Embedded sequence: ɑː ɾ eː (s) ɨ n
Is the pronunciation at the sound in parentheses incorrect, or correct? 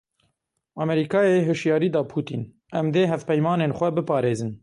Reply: incorrect